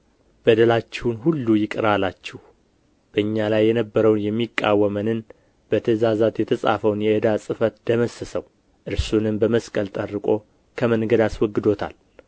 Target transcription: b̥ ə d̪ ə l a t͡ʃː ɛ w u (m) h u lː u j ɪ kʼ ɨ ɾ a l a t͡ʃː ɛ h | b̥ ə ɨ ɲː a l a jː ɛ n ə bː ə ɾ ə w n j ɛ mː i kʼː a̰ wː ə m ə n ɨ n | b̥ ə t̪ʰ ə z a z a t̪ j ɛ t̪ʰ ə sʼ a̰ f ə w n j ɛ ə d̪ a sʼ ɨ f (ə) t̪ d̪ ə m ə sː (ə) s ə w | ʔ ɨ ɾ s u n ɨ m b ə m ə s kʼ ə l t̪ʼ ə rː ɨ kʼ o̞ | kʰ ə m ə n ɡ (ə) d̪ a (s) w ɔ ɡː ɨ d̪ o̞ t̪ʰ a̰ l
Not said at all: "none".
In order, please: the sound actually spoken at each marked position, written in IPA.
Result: n, ə, ə, ə, s

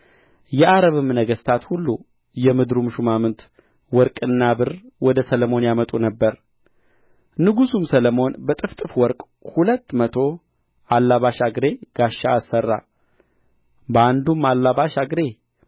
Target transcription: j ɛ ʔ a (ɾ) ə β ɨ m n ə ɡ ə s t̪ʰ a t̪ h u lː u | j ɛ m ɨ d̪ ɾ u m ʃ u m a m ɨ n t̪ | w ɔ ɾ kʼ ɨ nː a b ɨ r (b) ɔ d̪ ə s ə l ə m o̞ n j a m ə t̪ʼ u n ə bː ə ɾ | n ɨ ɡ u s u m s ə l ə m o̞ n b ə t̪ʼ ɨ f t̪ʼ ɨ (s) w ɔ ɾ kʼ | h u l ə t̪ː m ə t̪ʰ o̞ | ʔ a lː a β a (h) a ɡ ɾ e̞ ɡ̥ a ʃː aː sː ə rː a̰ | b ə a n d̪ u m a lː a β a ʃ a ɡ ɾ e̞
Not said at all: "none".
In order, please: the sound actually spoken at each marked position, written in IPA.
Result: ɾ, w, f, ʃ

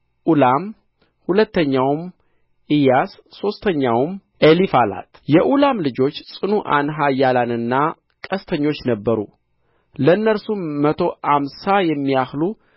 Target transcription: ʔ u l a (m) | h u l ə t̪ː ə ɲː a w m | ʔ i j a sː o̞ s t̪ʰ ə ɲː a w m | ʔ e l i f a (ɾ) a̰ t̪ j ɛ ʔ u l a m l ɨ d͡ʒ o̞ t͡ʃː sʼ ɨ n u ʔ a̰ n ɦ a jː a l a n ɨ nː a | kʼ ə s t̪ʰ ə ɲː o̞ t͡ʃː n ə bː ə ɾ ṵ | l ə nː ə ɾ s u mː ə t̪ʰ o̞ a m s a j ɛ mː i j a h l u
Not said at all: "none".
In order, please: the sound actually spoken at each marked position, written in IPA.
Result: m, l

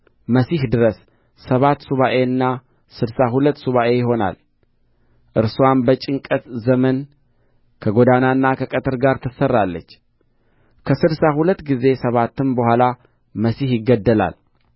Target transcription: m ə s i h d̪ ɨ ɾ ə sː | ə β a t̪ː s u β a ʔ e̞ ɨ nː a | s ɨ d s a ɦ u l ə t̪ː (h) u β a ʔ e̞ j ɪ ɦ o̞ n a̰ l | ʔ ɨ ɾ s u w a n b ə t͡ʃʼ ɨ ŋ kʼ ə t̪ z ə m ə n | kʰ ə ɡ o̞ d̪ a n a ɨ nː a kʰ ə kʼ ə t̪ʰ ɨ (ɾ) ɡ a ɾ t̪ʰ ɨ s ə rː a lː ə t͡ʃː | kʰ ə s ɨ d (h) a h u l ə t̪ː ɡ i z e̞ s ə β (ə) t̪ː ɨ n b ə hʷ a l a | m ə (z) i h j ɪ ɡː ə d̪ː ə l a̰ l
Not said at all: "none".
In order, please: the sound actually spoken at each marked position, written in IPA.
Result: s, ɾ, s, a, s

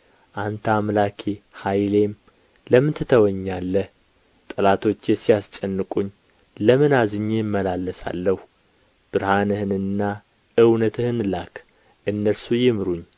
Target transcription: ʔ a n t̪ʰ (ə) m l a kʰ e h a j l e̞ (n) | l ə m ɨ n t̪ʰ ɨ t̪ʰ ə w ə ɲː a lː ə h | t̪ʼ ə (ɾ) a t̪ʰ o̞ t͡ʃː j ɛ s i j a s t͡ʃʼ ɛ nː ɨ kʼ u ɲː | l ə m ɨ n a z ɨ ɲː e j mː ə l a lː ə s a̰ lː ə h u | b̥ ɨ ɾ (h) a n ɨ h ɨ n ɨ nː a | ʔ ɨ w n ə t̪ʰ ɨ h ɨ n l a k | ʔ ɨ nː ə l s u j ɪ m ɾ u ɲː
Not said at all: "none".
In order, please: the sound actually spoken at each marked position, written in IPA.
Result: a, m, l, h

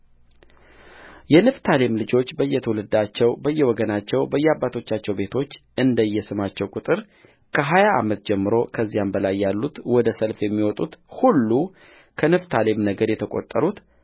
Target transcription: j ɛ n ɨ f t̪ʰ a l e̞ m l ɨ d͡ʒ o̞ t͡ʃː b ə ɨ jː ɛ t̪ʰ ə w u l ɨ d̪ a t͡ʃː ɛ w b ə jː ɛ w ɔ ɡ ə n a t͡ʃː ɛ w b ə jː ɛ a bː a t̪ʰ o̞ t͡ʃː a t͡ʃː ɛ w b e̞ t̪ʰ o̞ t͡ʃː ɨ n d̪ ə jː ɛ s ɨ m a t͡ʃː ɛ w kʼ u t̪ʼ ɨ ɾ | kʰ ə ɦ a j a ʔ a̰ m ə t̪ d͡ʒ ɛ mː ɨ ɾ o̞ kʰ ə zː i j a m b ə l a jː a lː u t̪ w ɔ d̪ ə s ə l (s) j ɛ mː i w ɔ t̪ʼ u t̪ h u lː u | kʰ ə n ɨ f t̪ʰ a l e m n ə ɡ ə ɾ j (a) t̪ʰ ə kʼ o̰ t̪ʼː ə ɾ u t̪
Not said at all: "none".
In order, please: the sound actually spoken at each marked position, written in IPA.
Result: f, ɛ

